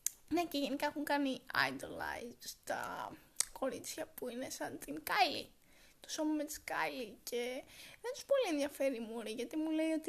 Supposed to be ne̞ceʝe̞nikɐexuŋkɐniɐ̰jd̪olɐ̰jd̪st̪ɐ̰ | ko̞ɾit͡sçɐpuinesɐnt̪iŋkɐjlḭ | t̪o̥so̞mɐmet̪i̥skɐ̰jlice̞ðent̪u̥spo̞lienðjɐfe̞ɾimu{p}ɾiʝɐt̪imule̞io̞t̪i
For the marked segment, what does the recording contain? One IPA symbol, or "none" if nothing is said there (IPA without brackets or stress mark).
none